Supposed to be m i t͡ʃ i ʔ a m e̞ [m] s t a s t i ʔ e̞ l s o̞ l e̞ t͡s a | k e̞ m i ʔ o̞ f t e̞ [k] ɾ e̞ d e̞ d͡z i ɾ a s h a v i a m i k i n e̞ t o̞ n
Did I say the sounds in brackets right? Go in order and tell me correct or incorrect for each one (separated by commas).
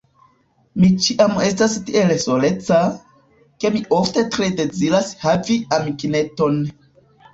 incorrect, incorrect